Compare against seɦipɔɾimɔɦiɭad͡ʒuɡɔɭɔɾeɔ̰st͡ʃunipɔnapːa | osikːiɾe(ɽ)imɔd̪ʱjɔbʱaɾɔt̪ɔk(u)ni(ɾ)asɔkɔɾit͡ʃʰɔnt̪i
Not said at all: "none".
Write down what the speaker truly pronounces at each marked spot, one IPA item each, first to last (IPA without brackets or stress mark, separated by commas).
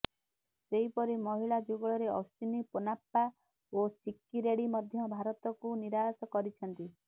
ɽ, u, ɾ